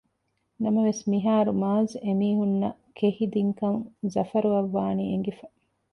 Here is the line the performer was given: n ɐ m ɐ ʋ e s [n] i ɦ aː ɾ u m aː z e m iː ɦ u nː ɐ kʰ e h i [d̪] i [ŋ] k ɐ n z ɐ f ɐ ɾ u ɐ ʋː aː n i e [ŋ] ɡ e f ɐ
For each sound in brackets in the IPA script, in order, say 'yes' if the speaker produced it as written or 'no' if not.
no, yes, yes, yes

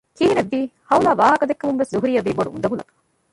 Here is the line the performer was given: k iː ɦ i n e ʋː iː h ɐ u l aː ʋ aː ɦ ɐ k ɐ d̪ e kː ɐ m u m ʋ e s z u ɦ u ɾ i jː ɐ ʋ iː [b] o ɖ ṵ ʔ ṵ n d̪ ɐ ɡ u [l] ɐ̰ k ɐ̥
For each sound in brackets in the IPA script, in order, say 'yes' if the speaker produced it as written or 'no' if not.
yes, yes

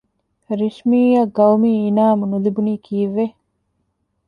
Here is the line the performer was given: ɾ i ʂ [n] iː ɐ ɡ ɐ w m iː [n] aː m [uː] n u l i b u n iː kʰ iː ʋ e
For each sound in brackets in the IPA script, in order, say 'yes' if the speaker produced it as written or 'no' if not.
no, yes, no

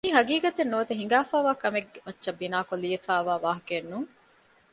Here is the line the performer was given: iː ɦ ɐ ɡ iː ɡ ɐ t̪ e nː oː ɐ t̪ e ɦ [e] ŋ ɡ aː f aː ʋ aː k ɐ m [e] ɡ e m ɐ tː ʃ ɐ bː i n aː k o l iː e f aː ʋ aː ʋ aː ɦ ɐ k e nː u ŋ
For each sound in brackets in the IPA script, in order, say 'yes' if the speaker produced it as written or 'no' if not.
no, yes

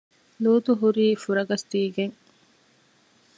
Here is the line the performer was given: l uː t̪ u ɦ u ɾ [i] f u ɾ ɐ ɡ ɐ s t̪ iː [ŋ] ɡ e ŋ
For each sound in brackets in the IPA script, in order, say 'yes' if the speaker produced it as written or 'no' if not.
no, no

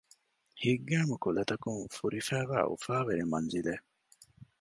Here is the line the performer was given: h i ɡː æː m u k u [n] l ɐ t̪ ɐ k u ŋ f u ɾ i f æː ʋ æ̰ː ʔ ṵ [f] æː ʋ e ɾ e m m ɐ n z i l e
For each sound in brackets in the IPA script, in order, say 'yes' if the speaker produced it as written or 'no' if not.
no, yes

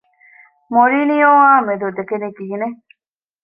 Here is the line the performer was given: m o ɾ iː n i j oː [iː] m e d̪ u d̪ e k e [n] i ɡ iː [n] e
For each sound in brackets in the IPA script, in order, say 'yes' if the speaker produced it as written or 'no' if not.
no, yes, yes

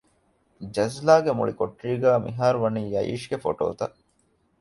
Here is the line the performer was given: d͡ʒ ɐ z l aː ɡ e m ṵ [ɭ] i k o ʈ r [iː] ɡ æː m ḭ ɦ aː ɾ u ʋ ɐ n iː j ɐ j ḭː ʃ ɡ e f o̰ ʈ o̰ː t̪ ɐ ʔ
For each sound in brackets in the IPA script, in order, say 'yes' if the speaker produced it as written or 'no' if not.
yes, yes

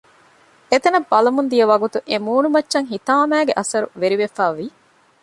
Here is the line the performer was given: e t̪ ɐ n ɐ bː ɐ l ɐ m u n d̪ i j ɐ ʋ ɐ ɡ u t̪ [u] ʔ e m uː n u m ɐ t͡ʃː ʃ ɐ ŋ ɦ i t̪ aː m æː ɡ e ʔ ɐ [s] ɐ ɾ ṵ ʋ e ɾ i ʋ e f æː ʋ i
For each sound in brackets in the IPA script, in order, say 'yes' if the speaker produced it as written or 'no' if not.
yes, yes

